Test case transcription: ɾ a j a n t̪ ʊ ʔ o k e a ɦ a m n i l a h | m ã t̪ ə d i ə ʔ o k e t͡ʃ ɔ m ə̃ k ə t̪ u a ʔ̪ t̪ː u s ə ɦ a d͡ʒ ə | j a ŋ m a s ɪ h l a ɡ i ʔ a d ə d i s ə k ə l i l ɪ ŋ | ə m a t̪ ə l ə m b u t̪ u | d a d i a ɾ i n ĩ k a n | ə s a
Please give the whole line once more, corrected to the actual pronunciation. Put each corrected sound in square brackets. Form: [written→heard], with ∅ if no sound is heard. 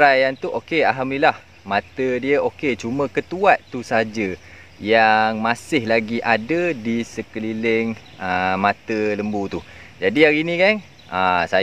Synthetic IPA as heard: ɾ a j a n t̪ [ʊ→u] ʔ o k e a ɦ a m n i l a h | m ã t̪ ə d i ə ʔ o k e t͡ʃ [ɔ→u] m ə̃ k ə t̪ u a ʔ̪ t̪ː u s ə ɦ a d͡ʒ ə | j a ŋ m a s ɪ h l a ɡ i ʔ a d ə d i s ə k ə l i l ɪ ŋ | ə m a t̪ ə l ə m b u t̪ u | [d→d͡ʒ] a d i a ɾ i n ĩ k a n | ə s a